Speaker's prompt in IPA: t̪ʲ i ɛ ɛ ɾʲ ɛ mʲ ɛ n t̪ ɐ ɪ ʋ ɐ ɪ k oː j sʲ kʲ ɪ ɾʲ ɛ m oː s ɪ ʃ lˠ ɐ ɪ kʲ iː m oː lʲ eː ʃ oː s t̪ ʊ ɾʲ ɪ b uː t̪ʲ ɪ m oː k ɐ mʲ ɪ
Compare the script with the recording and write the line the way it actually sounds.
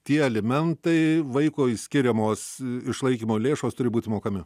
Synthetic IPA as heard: t̪ʲ i ɛ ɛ lʲ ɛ mʲ ɛ n t̪ ɐ ɪ ʋ ɐ ɪ k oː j sʲ kʲ ɪ ɾʲ ɛ m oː s ɪ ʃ lˠ ɐ ɪ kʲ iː m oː lʲ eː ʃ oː s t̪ ʊ ɾʲ ɪ b uː t̪ʲ ɪ m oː k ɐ mʲ ɪ